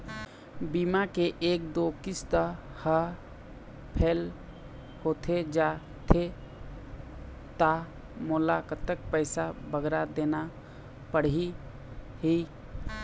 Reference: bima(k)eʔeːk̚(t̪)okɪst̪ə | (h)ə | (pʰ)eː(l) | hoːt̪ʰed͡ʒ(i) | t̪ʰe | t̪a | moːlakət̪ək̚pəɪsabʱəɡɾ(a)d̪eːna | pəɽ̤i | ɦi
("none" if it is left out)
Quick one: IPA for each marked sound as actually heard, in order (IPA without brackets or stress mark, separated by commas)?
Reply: k, d̪, h, pʰ, l, a, a